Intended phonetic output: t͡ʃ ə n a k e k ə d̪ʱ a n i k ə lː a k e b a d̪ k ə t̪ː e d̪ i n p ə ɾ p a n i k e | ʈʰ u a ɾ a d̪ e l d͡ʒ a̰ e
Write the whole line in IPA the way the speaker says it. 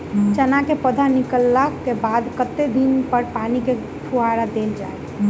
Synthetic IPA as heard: t͡ʃ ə n a k e p ə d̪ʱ a n i k ə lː a k e b a d̪ k ə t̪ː e d̪ i n p ə ɾ p a n i k e | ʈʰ u a ɾ a d̪ e l d͡ʒ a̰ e